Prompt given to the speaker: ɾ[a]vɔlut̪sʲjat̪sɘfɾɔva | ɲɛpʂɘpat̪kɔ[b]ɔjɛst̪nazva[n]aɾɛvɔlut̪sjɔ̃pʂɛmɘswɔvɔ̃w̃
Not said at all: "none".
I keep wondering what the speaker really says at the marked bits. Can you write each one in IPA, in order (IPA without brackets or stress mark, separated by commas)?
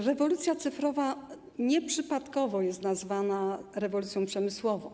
ɛ, v, n